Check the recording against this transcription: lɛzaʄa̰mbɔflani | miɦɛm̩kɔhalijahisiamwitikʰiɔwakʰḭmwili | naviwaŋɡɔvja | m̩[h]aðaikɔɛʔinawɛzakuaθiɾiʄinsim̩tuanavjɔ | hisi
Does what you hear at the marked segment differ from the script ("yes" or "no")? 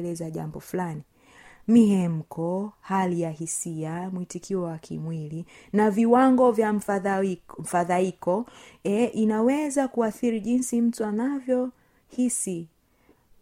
yes